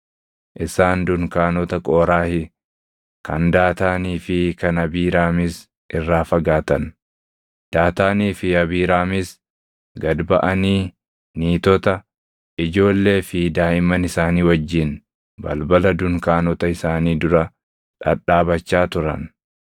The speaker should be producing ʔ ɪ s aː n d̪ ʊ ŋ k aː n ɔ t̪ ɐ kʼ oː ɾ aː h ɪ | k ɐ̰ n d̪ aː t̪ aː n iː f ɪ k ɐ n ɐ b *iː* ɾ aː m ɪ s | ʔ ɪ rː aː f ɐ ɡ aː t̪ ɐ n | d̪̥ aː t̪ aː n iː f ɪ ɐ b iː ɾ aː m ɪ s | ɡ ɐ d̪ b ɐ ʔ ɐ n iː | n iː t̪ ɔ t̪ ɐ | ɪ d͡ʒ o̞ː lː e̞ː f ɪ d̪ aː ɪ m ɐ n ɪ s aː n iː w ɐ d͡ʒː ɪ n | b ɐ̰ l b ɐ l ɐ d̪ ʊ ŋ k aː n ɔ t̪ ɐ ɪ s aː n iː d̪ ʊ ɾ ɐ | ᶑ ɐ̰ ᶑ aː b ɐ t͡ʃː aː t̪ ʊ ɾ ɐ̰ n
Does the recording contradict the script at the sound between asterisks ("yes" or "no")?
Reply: no